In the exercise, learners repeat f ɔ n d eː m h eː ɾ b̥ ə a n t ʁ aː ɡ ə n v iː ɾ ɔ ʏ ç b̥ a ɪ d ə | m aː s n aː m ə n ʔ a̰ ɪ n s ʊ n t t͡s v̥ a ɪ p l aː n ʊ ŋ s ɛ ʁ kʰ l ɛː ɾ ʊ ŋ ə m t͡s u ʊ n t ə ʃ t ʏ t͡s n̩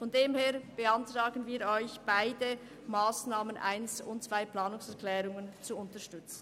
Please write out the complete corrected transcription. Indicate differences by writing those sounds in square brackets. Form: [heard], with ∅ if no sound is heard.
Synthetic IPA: f ɔ n d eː m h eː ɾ b̥ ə a n t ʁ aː ɡ ə n v iː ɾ ɔ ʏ ç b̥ a ɪ d ə | m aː s n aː m ə n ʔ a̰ ɪ n s ʊ n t t͡s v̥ a ɪ p l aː n ʊ ŋ s ɛ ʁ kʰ l ɛː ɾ ʊ ŋ ə [n] t͡s u ʊ n t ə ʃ t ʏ t͡s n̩